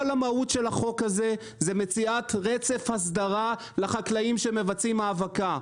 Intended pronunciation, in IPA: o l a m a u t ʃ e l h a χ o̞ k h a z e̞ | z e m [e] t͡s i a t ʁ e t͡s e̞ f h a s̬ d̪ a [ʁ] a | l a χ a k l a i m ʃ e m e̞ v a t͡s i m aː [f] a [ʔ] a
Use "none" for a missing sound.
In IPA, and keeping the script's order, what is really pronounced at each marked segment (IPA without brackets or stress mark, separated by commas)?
e, ʁ, v, k